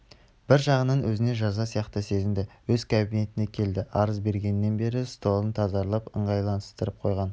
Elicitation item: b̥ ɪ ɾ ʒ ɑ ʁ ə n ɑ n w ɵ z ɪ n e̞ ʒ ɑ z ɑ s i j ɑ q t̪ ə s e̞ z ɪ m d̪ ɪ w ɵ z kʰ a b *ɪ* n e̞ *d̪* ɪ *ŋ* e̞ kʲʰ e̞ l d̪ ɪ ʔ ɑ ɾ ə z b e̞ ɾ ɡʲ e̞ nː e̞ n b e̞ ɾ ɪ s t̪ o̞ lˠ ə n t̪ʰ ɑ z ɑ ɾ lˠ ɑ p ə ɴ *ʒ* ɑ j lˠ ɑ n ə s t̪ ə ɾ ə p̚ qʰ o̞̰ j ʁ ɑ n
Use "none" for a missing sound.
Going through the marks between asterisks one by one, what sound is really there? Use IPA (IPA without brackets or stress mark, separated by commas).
i, t̪, n, ʁ